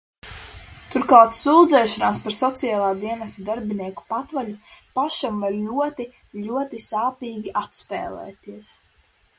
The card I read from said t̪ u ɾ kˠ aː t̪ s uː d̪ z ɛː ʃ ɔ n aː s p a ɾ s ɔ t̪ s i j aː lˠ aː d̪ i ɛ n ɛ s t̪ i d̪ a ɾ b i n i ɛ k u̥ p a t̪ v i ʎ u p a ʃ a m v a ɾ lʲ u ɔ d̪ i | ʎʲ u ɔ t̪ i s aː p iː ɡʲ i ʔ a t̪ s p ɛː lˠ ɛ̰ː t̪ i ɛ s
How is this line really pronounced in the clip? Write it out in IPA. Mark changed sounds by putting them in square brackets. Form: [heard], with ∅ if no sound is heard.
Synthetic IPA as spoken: t̪ u ɾ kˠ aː t̪ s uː d̪ z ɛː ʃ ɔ n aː s p a ɾ s ɔ t̪ s i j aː lˠ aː d̪ i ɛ n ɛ s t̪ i d̪ a ɾ b i n i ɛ k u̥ p a t̪ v [a] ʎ u p a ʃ a m v a ɾ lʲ u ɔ [t̪] i | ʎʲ u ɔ t̪ i s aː p iː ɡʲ i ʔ a t̪ s p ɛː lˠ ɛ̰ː t̪ i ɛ s